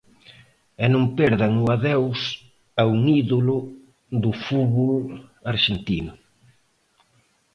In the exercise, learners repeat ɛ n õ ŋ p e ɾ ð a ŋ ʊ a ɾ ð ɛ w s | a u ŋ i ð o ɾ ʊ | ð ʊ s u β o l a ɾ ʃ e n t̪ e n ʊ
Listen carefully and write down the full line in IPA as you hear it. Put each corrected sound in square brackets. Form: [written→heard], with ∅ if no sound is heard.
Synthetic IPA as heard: ɛ n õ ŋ p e ɾ ð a ŋ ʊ a [ɾ→∅] ð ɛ w s | a u ŋ i ð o [ɾ→l] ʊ | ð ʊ [s→f] u β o l a ɾ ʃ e n t̪ [e→i] n ʊ

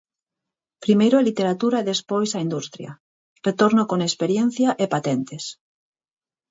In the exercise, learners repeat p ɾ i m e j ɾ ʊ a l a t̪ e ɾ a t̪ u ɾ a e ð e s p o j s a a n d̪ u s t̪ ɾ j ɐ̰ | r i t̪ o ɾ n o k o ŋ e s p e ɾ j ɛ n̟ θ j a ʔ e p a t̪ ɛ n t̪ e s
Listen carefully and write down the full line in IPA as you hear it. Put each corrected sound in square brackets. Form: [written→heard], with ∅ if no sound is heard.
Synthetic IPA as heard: p ɾ i m e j ɾ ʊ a l [a→i] t̪ e ɾ a t̪ u ɾ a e ð e s p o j s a [a→i] n d̪ u s t̪ ɾ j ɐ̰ | r [i→e] t̪ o ɾ n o k o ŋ e s p e ɾ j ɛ n̟ θ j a ʔ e p a t̪ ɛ n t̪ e s

